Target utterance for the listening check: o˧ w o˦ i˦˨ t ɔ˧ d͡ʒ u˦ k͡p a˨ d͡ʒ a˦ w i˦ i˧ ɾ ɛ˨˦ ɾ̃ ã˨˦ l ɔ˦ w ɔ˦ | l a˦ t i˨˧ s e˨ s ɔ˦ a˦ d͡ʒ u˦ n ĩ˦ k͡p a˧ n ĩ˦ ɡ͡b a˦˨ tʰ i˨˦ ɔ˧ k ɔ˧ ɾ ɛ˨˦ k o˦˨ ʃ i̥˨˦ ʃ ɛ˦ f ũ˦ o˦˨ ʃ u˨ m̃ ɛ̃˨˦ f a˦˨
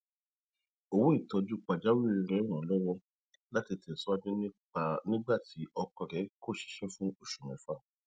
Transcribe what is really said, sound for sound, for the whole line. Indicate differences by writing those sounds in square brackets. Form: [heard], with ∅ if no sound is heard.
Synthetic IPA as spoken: o˧ w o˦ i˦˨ t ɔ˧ d͡ʒ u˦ k͡p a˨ d͡ʒ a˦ w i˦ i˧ ɾ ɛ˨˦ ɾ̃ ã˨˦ l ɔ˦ w ɔ˦ | l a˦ t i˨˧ [t] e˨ s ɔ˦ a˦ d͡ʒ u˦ n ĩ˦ k͡p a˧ n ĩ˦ ɡ͡b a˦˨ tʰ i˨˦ ɔ˧ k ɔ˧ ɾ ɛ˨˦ k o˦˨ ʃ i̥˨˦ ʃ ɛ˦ f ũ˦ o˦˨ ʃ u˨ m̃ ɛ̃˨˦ f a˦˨